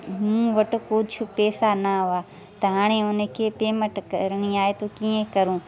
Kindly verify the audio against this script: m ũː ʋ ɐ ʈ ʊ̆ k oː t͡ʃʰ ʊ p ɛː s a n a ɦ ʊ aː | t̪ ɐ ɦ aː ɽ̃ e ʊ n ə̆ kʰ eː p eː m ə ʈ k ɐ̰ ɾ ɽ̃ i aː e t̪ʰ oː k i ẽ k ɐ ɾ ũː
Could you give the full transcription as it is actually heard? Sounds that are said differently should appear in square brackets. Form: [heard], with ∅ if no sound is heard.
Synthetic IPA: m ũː ʋ ɐ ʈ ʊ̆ k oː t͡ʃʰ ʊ p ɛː s a n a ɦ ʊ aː | t̪ ɐ ɦ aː ɽ̃ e ʊ n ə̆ kʰ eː p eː m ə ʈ k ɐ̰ ɾ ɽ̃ i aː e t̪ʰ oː k i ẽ k ɐ ɾ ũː